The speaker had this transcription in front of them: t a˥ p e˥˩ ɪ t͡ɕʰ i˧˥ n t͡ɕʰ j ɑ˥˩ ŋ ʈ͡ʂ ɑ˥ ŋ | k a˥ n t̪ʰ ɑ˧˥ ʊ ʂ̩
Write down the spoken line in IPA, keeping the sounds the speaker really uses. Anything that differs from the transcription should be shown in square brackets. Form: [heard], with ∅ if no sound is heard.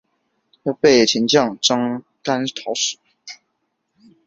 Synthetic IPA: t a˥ p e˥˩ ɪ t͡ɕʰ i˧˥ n [t͡ɕ] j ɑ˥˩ ŋ ʈ͡ʂ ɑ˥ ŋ | k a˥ n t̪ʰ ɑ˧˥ ʊ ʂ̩